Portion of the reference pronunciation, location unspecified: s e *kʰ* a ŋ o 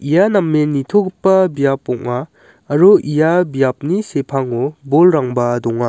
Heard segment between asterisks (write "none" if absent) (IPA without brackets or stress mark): pʰ